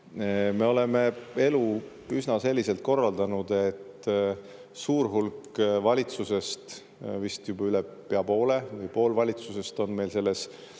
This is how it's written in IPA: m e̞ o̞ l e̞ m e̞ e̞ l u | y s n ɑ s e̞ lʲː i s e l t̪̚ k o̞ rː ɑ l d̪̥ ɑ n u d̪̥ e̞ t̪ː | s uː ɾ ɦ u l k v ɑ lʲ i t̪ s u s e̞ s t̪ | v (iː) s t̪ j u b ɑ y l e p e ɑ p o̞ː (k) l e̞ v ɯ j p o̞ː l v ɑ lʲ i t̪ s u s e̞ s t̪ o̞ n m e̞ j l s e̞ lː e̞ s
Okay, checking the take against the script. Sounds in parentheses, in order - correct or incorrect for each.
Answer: incorrect: i, incorrect: none

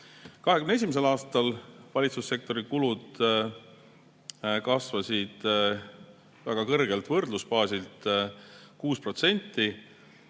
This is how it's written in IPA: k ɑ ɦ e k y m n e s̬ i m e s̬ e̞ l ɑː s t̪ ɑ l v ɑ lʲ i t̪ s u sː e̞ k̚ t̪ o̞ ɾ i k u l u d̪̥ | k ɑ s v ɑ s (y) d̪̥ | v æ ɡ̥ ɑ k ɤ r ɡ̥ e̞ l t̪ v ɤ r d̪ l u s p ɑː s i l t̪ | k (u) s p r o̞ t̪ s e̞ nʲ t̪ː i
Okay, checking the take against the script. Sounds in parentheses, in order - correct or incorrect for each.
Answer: incorrect: i, incorrect: uː

